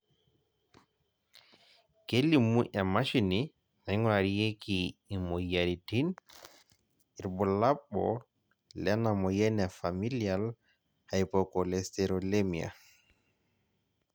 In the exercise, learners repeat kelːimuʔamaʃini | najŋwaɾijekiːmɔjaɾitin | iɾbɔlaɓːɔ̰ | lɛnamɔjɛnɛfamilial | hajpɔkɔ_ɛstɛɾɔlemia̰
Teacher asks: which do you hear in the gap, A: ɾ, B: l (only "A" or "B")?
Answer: B